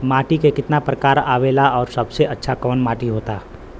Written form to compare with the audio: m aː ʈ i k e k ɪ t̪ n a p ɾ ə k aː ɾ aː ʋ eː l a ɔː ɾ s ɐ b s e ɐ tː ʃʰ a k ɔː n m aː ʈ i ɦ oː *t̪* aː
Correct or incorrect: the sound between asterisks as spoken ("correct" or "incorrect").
correct